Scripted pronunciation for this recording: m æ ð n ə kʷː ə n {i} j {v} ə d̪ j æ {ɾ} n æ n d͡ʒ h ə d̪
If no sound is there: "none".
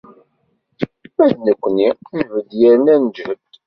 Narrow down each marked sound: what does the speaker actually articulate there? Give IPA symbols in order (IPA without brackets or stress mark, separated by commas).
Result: i, v, ɾ